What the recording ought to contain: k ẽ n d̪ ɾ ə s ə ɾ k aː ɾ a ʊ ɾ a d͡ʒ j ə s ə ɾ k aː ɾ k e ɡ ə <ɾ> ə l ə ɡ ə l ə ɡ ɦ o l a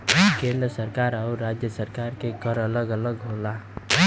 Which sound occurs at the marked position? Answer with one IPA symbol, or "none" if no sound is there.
ɾ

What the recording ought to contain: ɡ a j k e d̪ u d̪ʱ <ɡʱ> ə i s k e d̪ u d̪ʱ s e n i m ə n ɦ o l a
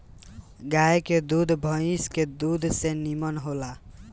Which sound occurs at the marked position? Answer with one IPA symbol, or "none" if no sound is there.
bʱ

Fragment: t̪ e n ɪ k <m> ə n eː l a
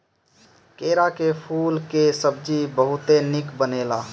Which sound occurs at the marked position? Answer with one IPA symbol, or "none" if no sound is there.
b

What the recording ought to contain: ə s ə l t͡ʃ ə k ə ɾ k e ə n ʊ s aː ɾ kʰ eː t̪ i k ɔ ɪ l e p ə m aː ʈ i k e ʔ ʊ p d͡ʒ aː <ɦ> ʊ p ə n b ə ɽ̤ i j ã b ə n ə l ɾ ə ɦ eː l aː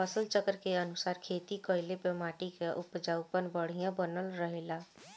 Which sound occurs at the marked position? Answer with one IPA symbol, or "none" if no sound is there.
none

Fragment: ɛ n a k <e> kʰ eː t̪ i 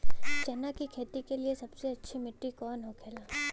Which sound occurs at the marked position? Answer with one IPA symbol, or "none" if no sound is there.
i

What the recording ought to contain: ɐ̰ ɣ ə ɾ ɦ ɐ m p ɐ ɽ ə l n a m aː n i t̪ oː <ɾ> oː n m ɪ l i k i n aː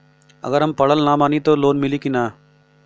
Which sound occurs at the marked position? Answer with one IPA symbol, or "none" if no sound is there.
l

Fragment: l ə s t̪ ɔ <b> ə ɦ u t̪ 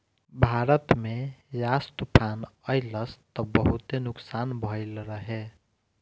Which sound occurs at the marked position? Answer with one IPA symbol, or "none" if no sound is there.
b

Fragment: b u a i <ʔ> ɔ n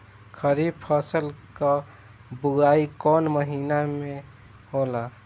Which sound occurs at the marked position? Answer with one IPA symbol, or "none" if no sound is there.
k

